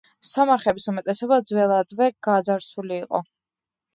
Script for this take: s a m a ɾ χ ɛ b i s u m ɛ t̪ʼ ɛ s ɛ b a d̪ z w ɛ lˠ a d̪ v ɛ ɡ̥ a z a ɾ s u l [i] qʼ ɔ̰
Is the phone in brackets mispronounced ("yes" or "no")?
yes